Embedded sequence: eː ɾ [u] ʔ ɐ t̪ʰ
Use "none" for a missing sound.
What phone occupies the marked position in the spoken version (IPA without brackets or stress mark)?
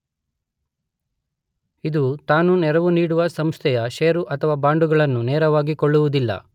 u